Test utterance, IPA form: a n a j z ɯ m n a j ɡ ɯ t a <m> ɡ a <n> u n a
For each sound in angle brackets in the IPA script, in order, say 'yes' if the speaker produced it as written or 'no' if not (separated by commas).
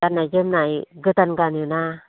no, yes